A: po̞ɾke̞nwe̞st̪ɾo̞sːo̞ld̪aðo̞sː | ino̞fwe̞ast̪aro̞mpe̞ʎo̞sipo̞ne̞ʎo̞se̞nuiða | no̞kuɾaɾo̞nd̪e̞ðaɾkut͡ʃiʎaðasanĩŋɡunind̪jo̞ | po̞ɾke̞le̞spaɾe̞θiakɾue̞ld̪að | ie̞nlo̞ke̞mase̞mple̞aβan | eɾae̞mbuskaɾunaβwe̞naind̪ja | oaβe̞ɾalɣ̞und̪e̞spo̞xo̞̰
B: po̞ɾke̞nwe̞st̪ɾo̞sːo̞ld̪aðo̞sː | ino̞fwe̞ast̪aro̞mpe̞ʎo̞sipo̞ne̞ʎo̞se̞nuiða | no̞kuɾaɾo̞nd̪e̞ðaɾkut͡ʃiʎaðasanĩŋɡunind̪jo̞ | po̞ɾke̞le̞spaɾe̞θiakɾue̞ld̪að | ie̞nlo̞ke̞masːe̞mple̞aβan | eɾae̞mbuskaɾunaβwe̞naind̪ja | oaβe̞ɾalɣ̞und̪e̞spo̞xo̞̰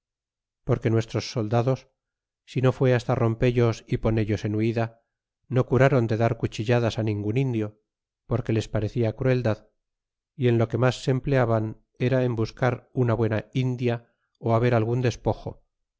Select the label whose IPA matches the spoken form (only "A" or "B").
B